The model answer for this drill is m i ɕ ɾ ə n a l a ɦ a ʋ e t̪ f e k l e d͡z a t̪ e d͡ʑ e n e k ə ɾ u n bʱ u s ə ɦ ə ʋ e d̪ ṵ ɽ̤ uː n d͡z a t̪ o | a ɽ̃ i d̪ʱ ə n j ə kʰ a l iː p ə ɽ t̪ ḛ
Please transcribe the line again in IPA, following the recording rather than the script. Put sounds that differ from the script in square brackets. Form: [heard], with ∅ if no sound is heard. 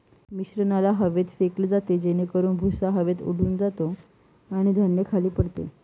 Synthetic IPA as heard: m i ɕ ɾ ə n a l a ɦ [ə] ʋ e t̪ f e k l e d͡z a t̪ e d͡ʑ e n e k ə ɾ [uː] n bʱ u s [a] ɦ ə ʋ e [t̪] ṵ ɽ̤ uː n d͡z a t̪ o | a ɽ̃ i d̪ʱ ə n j ə kʰ a l iː p ə ɽ t̪ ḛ

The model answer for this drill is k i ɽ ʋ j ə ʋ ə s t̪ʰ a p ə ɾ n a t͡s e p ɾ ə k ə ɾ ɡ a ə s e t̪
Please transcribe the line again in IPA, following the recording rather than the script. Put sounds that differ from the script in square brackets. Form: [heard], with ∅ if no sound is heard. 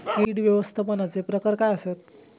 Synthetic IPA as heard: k i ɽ ʋ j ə ʋ ə s t̪ʰ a p ə [∅] n a t͡s e p ɾ ə k ə ɾ [k] a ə s e t̪

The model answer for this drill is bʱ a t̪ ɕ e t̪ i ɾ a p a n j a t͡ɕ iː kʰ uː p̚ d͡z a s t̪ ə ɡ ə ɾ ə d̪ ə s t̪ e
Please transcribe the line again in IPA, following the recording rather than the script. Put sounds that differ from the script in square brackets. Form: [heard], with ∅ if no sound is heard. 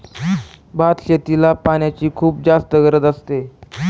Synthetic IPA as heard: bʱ a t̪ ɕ e t̪ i [l] a p a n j a t͡ɕ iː kʰ uː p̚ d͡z a s t̪ ə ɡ ə ɾ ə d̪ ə s t̪ e

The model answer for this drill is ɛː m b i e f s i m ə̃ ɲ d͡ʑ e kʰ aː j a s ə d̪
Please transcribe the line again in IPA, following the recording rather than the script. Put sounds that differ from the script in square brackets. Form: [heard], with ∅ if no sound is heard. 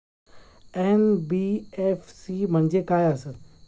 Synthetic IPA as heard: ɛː [n] b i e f s i m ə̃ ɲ d͡ʑ e [k] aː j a s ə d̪

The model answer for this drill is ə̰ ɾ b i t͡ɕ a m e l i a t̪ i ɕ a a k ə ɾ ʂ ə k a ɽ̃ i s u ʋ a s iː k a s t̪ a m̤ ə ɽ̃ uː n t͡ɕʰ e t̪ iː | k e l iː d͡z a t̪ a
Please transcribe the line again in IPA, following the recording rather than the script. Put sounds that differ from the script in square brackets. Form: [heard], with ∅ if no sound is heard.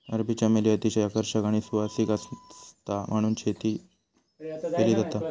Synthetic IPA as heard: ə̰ ɾ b i t͡ɕ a m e l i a t̪ i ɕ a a k ə ɾ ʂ ə k a ɽ̃ i s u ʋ a s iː k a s t̪ a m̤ ə ɽ̃ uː n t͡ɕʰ e t̪ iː | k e l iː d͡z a t̪ a

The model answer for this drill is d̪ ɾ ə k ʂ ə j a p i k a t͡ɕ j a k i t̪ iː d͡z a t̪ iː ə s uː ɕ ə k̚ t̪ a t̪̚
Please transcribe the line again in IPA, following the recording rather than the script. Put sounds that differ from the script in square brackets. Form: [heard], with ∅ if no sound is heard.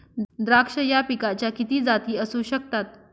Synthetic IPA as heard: d̪ ɾ [a] k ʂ ə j a p i k a t͡ɕ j a k i t̪ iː d͡z a t̪ iː ə s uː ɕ ə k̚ t̪ a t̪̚

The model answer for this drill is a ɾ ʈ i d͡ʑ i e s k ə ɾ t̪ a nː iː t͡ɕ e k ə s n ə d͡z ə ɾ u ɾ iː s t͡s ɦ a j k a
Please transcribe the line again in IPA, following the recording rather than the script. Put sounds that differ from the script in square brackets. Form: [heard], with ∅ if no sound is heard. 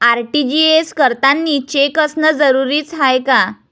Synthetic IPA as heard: a ɾ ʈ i d͡ʑ i e s k ə ɾ t̪ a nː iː t͡ɕ e k ə s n ə d͡z ə ɾ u ɾ iː [∅] t͡s ɦ a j k a

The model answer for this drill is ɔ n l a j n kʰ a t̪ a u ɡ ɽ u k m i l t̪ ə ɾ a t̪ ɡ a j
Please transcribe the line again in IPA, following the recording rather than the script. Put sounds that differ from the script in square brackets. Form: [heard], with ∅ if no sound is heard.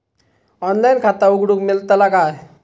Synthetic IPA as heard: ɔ n l a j n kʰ a t̪ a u ɡ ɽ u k m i l t̪ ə [l] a [∅] ɡ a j

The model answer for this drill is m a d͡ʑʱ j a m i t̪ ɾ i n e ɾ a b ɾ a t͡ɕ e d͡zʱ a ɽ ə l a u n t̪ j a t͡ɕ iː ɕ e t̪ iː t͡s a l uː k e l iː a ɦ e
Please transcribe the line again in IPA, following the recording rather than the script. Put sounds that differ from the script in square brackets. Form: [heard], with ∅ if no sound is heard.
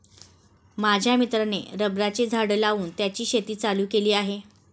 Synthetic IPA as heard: m a d͡ʑʱ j a m i t̪ ɾ [a] n e ɾ [ə] b ɾ a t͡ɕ e d͡zʱ a ɽ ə l a [uː] n t̪ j a t͡ɕ iː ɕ e t̪ iː t͡s a l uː k e l iː a ɦ e

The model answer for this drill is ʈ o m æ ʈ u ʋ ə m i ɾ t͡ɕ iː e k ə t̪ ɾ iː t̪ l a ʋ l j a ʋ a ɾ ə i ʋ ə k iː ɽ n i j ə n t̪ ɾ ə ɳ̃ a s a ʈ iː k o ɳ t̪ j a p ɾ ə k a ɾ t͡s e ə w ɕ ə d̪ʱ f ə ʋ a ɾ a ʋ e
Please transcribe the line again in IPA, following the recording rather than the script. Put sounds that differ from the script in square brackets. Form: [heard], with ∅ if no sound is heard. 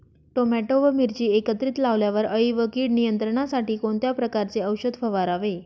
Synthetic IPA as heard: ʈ o m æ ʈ [o] ʋ ə m i ɾ t͡ɕ iː e k ə t̪ ɾ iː t̪ l a ʋ l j a ʋ [ə] ɾ ə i ʋ ə k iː ɽ n i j ə n t̪ ɾ ə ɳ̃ a s a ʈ iː k o ɳ t̪ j a p ɾ ə k a ɾ t͡s e ə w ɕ ə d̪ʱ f ə ʋ a ɾ a ʋ e

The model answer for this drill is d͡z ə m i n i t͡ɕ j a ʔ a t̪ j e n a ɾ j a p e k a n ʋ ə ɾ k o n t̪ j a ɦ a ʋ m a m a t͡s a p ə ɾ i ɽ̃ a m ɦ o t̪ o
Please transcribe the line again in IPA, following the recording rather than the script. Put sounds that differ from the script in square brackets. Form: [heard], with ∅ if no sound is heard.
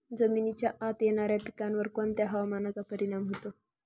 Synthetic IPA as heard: d͡z ə m i n i t͡ɕ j a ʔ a t̪ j e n a ɾ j a p [i] k a n ʋ ə ɾ k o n t̪ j a ɦ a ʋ m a [n] a t͡s a p ə ɾ i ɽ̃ a m ɦ o t̪ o

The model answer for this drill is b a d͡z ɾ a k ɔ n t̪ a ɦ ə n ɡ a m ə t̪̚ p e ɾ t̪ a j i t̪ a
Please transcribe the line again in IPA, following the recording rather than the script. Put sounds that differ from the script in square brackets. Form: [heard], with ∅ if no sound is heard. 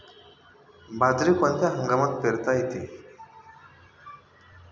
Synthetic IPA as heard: b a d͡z ɾ [i] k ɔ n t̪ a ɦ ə [ŋ] ɡ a m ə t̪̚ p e ɾ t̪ a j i t̪ [i]

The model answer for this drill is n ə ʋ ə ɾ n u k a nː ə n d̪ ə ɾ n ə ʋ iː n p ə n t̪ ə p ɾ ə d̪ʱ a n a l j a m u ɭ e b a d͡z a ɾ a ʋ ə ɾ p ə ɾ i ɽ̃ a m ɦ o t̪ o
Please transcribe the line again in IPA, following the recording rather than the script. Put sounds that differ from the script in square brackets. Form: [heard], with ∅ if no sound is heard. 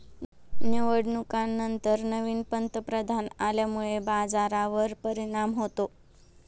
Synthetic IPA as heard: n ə ʋ ə [ɽ] n u k a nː ə n [t̪] ə ɾ n ə ʋ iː n p ə n t̪ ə p ɾ ə d̪ʱ a n a l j a m u ɭ e b a d͡z a ɾ a ʋ ə ɾ p ə ɾ i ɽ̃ a m ɦ o t̪ o

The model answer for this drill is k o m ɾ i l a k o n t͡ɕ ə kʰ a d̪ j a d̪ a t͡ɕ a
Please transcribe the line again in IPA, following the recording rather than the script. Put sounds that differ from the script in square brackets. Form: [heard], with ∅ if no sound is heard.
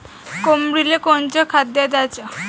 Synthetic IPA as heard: k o m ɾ i l [e] k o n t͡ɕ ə kʰ a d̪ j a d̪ a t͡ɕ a

